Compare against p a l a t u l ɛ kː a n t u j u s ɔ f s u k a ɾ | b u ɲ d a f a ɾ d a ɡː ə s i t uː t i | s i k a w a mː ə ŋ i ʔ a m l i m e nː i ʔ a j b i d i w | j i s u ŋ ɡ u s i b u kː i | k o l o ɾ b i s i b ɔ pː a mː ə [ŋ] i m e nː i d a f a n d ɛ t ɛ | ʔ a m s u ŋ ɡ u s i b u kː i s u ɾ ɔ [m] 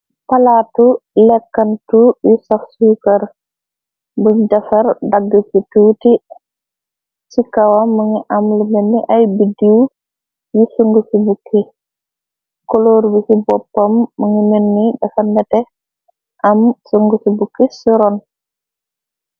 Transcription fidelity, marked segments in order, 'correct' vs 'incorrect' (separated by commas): correct, incorrect